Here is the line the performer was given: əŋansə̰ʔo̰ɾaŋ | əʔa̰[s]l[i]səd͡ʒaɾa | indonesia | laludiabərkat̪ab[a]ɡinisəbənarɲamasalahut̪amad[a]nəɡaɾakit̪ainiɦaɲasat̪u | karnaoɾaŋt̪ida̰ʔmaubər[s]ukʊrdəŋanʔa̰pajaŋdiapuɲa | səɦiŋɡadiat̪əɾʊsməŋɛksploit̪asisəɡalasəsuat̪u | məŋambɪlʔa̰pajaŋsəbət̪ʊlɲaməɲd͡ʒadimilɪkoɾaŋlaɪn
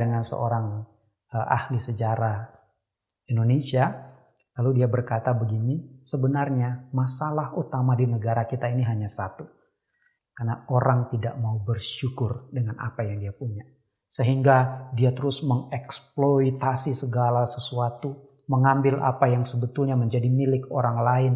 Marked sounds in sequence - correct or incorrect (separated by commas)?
incorrect, correct, incorrect, incorrect, incorrect